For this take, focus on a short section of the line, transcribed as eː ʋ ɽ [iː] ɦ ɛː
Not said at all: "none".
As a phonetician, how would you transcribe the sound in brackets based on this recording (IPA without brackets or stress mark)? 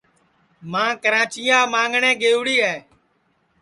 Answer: iː